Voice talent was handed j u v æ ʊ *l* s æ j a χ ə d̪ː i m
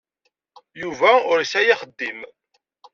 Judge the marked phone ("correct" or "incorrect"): incorrect